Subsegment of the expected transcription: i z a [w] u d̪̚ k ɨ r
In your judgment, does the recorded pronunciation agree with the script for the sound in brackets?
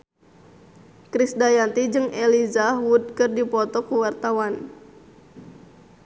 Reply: yes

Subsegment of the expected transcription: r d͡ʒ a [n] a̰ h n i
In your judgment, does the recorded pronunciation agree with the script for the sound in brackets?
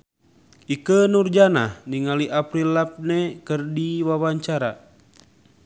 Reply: yes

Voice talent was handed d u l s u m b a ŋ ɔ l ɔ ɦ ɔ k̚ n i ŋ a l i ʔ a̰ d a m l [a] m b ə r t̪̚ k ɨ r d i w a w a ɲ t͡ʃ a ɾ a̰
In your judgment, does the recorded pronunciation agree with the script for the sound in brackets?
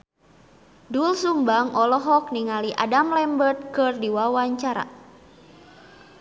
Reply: no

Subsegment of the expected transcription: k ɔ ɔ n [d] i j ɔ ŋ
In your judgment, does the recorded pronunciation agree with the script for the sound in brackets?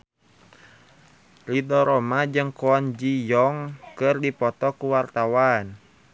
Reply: no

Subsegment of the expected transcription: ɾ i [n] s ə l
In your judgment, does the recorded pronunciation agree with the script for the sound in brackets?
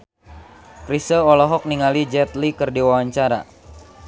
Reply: no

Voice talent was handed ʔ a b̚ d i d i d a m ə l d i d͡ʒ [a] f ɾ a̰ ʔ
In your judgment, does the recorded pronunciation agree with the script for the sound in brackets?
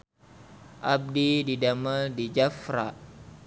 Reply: yes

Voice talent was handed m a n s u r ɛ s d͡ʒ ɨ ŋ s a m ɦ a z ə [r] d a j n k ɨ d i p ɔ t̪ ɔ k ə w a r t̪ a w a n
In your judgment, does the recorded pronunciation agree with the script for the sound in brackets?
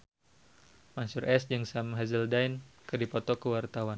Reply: no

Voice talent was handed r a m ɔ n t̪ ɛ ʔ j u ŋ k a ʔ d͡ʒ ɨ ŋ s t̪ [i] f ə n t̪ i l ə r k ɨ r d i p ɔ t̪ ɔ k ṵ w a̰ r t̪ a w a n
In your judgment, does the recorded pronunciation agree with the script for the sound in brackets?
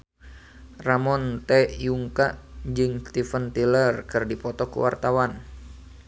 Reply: yes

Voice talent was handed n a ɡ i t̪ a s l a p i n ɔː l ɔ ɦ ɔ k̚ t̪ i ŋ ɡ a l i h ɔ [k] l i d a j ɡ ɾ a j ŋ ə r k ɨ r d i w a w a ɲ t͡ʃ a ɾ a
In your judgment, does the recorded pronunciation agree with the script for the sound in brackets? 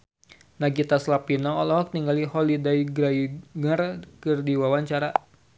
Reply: no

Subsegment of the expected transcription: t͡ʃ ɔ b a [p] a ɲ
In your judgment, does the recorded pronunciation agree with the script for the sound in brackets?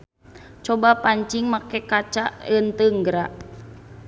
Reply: yes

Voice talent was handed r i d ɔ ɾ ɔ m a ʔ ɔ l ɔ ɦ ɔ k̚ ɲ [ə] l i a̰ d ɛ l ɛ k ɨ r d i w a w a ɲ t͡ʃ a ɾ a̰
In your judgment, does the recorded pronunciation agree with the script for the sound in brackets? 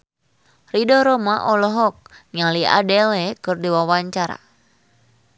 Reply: no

